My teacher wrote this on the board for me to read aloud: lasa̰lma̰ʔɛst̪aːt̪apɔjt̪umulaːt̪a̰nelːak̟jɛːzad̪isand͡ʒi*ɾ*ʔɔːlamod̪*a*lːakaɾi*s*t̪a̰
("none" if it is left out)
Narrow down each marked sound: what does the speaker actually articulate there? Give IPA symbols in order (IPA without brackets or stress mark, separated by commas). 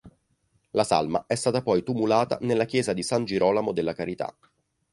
ɾ, e, none